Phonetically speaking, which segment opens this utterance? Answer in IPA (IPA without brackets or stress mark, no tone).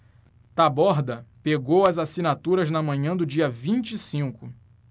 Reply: t̪